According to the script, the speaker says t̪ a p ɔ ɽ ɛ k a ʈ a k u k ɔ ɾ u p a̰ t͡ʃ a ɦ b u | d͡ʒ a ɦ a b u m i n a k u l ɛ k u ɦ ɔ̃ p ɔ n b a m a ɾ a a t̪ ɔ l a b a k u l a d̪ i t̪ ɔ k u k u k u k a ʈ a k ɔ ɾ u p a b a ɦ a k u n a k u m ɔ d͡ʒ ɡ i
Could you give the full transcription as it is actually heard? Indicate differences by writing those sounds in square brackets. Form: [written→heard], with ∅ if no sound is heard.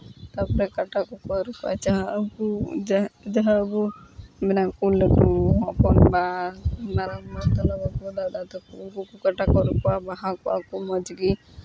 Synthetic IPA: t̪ a p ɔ [ɽ→ɾ] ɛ k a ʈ a k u k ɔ ɾ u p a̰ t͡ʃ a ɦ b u | d͡ʒ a ɦ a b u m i n a k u l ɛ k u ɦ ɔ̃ p ɔ n b a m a ɾ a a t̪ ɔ l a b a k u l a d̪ [i→a] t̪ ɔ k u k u k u k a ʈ a k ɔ ɾ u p a b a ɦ a k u [n→∅] a k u m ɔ d͡ʒ ɡ i